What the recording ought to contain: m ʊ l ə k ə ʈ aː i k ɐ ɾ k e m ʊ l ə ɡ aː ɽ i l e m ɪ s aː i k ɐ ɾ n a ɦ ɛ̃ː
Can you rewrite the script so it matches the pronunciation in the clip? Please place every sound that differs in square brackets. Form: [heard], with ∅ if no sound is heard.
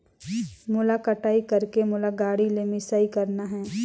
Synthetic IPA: m ʊ l [a] k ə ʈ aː i k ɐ ɾ k e m ʊ l [a] ɡ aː ɽ i l e m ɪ s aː i k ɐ ɾ n a ɦ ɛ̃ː